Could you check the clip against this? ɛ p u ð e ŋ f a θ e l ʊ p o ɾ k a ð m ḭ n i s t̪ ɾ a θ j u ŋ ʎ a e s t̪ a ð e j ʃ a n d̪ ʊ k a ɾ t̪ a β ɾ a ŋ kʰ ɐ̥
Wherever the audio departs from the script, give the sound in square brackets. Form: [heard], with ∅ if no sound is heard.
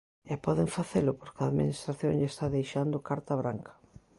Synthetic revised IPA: ɛ p [ɔ] ð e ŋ f a θ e l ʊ p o ɾ k a ð m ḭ n i s t̪ ɾ a θ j [o] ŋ ʎ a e s t̪ a ð e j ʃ a n d̪ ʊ k a ɾ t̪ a β ɾ a ŋ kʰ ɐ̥